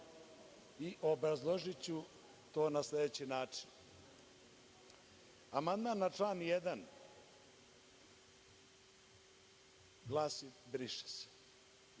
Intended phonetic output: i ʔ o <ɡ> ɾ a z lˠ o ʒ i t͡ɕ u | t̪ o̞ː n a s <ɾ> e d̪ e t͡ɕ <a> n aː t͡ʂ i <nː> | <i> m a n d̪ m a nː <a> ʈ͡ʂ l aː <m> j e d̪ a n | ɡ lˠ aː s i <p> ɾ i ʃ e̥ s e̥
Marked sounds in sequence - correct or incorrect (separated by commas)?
incorrect, incorrect, incorrect, incorrect, incorrect, correct, incorrect, incorrect